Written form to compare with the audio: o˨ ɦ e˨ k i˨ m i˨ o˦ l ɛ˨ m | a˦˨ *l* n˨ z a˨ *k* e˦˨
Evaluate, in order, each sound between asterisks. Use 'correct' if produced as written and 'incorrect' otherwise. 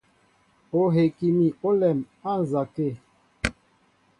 incorrect: none, correct

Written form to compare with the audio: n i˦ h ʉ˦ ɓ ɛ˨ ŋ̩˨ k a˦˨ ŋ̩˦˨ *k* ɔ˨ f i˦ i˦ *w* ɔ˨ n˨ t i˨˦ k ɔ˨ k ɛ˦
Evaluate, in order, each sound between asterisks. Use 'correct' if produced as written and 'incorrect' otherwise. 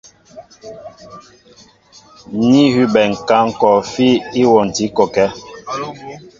correct, correct

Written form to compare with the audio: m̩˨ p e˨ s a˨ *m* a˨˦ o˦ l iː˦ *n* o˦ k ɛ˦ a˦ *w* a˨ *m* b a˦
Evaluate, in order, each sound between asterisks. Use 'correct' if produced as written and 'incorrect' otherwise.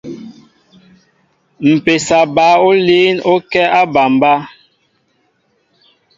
incorrect: b, correct, incorrect: b, correct

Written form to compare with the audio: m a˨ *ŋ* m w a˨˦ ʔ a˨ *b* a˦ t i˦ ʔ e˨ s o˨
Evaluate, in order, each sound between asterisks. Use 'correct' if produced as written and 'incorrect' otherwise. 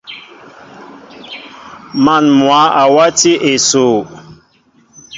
incorrect: n, incorrect: w

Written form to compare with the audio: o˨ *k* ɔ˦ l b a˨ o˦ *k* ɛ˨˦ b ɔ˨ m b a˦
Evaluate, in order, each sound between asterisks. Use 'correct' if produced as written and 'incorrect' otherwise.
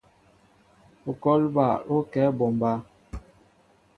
correct, correct

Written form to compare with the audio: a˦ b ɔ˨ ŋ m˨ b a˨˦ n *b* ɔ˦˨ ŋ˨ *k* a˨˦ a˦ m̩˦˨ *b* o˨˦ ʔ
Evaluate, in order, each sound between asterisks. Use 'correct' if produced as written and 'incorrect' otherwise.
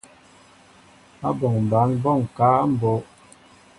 correct, correct, correct

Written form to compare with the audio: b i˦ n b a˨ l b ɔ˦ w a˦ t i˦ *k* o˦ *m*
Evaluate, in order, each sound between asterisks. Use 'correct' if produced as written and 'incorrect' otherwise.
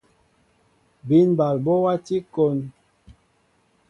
correct, incorrect: n

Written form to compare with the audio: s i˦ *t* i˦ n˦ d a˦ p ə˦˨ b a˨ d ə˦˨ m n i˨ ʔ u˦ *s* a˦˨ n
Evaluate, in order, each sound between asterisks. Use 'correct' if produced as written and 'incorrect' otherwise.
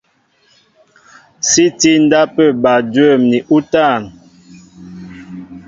correct, incorrect: t

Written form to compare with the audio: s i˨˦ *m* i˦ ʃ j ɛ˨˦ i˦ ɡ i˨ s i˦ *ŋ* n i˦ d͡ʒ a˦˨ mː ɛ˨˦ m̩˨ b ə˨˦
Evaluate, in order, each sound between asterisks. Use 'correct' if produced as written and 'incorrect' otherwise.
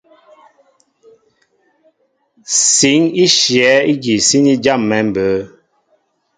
incorrect: ŋ, incorrect: none

